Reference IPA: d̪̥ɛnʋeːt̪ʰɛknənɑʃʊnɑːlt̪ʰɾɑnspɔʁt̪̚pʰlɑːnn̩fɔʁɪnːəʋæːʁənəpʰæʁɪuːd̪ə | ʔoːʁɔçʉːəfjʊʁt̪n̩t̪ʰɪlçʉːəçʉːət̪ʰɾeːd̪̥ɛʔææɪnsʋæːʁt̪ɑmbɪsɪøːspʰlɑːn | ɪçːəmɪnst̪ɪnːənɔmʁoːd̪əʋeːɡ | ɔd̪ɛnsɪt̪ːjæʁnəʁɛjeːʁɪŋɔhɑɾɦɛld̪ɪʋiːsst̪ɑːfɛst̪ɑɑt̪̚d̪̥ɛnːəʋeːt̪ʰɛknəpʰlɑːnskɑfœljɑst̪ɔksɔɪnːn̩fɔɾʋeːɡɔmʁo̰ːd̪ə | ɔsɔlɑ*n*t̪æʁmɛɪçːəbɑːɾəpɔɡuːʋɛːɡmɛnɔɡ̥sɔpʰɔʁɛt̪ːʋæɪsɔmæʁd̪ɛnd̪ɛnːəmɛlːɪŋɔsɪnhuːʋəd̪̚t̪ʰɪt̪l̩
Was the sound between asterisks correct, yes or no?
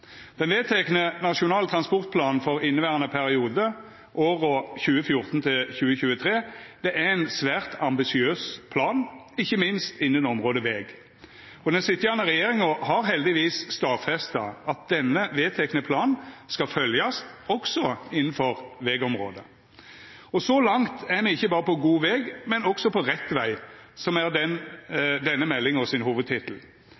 no